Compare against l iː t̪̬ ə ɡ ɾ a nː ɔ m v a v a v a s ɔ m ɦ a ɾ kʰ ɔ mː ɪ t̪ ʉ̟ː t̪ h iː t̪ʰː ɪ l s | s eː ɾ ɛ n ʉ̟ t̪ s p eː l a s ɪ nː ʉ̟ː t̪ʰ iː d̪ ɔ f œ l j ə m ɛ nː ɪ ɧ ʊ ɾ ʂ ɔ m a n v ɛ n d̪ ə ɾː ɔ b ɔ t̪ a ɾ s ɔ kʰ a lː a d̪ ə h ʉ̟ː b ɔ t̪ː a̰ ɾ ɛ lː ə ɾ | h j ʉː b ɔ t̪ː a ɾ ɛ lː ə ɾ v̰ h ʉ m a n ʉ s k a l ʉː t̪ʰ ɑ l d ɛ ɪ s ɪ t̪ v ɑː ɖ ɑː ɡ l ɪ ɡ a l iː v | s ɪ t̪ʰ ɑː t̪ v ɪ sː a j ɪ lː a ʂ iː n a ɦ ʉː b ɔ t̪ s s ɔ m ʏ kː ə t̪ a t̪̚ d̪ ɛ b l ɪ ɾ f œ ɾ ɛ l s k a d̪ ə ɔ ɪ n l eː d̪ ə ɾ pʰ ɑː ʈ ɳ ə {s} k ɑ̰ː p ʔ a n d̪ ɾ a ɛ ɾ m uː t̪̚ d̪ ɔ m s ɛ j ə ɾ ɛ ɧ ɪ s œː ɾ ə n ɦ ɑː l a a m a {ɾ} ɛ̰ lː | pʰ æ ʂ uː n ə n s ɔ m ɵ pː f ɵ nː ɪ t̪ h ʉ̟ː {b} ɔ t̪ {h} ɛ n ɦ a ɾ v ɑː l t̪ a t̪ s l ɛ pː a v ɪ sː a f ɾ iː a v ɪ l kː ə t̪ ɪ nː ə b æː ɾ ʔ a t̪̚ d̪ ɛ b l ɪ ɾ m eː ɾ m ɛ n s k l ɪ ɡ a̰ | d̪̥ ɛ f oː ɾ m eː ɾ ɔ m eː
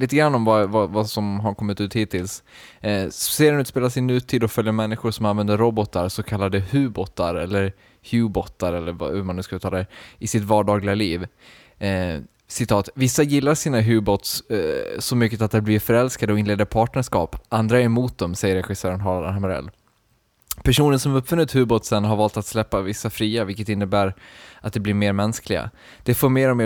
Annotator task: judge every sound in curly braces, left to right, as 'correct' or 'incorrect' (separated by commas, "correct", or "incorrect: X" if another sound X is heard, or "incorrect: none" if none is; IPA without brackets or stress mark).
incorrect: ʂ, correct, correct, incorrect: s